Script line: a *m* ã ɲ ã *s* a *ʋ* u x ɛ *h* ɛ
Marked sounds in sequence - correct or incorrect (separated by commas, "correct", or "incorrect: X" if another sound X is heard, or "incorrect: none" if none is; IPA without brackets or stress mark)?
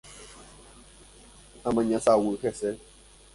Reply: correct, correct, incorrect: w, incorrect: s